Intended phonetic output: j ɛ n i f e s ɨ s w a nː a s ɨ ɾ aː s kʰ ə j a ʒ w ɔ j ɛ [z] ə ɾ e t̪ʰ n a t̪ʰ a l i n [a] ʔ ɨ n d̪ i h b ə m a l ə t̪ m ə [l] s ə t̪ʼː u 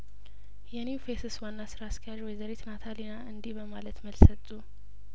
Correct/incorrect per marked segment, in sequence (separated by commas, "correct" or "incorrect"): correct, correct, correct